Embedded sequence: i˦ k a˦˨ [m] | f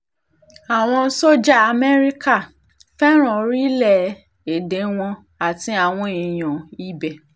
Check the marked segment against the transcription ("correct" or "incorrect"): incorrect